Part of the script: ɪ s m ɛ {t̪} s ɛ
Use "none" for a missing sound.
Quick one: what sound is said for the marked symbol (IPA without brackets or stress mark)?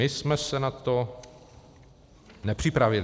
none